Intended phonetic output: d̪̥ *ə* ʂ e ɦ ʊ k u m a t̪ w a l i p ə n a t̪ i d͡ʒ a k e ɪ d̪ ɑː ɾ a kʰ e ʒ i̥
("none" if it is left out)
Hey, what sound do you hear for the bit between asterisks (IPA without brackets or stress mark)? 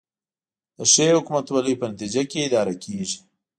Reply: ə